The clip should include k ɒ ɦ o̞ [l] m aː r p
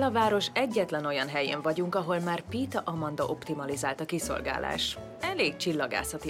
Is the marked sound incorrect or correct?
correct